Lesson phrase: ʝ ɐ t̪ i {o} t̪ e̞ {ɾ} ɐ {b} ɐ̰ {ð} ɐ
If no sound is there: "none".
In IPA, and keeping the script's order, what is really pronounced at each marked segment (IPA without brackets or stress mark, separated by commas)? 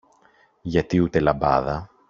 u, l, b, ð